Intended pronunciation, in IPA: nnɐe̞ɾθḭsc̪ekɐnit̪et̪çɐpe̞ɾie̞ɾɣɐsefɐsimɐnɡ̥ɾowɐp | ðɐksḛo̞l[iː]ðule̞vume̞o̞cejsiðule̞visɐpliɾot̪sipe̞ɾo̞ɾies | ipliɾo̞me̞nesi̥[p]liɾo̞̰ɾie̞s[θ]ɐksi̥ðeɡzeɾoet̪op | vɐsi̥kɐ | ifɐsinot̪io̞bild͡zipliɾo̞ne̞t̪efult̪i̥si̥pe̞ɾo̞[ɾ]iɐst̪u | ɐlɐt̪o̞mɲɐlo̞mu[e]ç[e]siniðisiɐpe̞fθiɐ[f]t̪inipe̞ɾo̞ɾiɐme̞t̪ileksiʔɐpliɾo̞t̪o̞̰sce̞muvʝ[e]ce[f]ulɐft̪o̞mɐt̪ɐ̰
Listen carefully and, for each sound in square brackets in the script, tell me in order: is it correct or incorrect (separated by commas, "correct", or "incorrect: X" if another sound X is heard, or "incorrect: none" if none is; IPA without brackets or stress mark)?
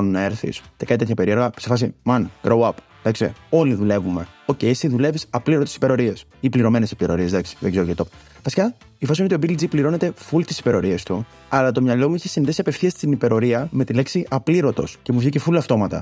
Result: incorrect: i, correct, incorrect: ð, correct, incorrect: i, correct, incorrect: s, incorrect: i, correct